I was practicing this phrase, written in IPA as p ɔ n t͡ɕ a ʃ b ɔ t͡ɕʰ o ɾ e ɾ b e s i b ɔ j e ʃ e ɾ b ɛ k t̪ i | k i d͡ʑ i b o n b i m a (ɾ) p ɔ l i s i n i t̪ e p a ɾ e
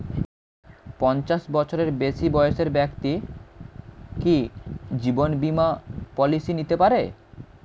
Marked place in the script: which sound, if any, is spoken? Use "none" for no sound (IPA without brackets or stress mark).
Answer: none